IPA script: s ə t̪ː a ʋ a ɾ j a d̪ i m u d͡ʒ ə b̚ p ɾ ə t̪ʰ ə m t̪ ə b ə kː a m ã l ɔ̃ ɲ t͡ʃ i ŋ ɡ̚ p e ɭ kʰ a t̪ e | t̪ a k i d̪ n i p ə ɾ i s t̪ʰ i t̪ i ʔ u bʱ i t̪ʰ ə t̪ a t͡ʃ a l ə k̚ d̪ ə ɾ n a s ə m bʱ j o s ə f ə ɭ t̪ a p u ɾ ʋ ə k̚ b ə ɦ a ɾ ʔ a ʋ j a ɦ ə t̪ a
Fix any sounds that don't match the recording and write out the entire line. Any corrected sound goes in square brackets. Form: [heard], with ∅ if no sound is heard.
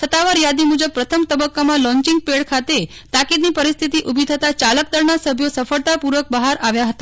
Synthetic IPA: s ə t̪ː a ʋ a ɾ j a d̪ i m u d͡ʒ ə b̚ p ɾ ə t̪ʰ ə m t̪ ə b ə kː a m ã l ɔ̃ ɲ t͡ʃ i ŋ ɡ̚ p e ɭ kʰ a t̪ e | t̪ a k i d̪ n i p ə ɾ i s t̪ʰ i t̪ i ʔ u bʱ i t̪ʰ ə t̪ a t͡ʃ a l ə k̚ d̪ ə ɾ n a s ə [∅] bʱ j o s ə f ə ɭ t̪ a p u ɾ ʋ ə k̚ b ə ɦ a ɾ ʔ a ʋ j a ɦ ə t̪ a